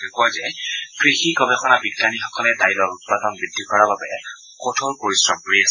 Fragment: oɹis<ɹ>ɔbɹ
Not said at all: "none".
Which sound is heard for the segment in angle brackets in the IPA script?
ɹ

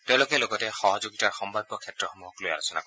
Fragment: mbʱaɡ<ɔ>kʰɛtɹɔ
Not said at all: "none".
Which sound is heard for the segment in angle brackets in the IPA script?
ɔ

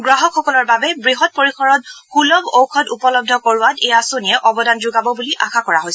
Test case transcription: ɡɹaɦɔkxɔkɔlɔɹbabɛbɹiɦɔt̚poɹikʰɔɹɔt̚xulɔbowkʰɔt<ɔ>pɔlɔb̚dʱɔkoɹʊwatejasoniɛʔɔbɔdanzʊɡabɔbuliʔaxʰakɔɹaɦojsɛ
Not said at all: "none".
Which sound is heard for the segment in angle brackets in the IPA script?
u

